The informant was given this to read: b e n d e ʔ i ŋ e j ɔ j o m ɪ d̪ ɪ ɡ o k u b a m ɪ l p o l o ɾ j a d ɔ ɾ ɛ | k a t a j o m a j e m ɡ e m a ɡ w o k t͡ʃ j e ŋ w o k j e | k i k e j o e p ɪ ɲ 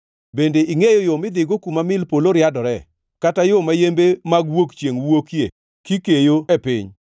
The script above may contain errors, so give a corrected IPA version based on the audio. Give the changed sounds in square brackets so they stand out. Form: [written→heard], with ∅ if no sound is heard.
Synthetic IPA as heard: b e n d e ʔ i ŋ e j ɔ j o m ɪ d̪ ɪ ɡ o k u [b→m] a m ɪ l p o l o ɾ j a d ɔ ɾ ɛ | k a t a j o m a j e m [ɡ→b] e m a ɡ w o k t͡ʃ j e ŋ w o k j e | k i k e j o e p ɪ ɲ